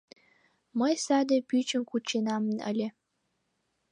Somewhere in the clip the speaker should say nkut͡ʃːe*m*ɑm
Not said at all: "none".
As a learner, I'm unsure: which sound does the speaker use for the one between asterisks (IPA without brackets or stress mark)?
n